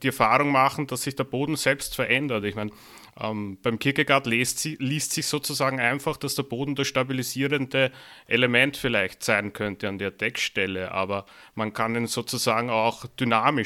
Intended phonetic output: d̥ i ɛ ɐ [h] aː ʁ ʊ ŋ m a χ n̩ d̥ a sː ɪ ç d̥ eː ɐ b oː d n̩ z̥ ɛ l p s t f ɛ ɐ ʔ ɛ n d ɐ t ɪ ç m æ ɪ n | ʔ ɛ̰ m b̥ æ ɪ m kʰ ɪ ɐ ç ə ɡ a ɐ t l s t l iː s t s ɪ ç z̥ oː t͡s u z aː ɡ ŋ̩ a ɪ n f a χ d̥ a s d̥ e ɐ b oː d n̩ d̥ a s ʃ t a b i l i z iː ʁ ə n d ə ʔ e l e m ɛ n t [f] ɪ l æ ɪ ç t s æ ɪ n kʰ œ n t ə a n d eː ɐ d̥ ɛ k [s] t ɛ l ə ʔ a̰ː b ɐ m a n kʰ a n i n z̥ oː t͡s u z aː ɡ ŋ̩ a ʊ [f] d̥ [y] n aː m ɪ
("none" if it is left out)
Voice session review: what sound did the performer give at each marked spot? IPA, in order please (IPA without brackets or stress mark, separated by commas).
f, f, ʃ, x, y